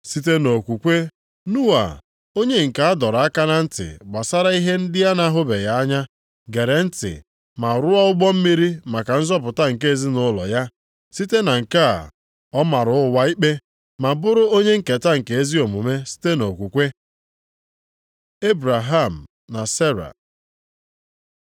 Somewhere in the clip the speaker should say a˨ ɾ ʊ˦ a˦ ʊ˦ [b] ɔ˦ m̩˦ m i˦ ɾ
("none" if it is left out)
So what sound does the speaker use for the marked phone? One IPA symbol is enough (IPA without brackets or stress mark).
ɡ͡b